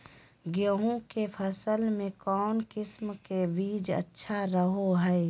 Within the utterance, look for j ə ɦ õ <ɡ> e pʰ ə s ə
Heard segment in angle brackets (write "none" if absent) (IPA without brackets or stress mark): k